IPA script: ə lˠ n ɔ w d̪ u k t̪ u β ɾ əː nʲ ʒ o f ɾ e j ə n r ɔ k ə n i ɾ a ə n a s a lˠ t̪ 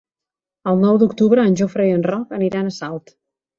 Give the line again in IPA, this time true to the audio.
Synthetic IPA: ə lˠ n ɔ w d̪ u k t̪ u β ɾ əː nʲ ʒ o f ɾ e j ə n r ɔ k ə n i ɾ a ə n ə s a lˠ t̪